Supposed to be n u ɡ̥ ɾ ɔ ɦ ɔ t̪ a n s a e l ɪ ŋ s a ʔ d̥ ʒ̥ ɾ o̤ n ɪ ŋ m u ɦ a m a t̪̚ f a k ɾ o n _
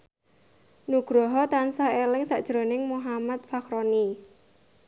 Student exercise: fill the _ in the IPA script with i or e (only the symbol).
i